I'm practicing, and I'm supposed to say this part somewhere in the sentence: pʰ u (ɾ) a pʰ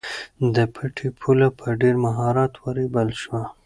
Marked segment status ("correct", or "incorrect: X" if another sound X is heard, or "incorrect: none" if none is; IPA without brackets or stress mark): incorrect: l